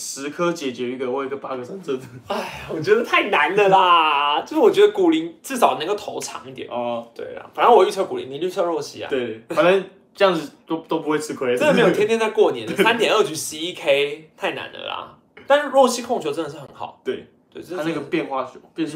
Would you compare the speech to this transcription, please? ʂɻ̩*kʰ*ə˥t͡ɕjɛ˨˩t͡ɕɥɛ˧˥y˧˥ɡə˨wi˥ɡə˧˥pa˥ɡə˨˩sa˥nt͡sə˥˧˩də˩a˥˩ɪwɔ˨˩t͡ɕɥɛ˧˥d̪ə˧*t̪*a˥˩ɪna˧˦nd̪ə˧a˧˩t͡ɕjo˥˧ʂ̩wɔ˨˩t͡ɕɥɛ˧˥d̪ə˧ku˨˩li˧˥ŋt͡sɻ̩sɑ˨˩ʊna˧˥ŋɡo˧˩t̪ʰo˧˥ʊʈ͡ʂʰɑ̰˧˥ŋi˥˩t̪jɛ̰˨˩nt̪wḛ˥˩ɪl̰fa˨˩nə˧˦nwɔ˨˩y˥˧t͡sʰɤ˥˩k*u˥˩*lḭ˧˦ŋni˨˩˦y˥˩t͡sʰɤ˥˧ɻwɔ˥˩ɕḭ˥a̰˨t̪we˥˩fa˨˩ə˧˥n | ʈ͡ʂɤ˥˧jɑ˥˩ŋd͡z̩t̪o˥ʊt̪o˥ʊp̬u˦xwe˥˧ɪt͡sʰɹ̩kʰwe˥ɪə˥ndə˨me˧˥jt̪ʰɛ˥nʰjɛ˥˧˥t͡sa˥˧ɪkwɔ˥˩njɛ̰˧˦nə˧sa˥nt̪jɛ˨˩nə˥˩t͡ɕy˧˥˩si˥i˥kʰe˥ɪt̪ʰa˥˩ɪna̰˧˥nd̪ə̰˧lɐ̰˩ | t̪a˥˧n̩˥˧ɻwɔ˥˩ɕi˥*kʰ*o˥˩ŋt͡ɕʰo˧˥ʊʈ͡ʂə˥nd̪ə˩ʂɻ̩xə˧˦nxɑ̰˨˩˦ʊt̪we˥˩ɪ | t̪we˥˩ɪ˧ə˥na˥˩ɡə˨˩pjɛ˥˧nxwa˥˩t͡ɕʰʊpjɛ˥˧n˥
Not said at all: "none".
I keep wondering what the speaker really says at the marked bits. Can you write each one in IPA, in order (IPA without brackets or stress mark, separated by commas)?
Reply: kʰ, t̪ʰ, u˨˩, kʰ